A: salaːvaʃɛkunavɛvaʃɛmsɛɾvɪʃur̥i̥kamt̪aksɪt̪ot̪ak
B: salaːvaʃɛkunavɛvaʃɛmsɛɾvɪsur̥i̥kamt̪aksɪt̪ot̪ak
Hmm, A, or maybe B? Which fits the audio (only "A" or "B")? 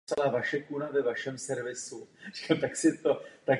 B